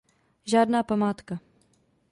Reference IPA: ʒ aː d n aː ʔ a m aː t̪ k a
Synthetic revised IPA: ʒ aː d n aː p a m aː t̪ k a